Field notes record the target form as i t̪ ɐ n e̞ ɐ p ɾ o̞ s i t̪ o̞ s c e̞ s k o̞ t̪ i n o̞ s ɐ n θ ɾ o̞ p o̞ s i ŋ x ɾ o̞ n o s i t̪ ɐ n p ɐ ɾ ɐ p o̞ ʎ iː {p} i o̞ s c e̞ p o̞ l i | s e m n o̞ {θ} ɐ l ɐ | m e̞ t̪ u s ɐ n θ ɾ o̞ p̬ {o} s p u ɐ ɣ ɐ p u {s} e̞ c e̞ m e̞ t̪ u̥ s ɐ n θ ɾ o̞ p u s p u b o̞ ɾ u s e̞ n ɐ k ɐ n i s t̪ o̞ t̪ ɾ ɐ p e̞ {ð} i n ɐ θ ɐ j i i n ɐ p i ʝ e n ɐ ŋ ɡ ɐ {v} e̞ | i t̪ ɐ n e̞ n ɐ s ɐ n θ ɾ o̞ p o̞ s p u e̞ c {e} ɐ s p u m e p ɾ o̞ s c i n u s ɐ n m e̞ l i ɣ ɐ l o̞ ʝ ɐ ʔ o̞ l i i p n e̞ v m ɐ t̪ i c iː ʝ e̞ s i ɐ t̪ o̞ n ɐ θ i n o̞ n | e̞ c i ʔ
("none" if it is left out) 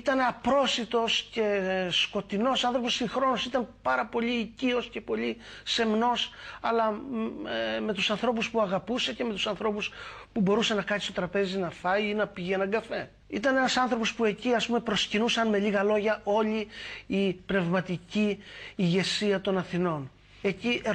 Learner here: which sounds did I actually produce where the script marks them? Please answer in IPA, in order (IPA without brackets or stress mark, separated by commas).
c, s, u, s, z, f, i